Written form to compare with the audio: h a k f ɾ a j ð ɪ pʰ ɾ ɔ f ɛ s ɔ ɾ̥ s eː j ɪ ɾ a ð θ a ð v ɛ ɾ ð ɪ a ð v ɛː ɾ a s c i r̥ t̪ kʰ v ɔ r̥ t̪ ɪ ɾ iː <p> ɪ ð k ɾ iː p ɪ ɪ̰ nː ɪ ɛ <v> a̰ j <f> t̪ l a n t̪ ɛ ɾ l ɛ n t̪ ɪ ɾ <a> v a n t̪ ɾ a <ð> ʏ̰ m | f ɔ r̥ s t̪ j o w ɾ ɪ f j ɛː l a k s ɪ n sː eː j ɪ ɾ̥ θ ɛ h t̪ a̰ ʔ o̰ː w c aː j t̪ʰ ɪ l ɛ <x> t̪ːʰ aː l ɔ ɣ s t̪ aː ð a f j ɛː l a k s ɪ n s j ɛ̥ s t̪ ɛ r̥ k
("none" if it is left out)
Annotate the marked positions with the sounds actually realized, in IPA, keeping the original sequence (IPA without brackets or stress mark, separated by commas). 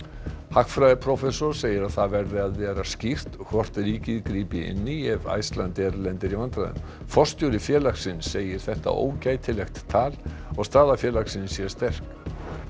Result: c, v, s, i, ð, x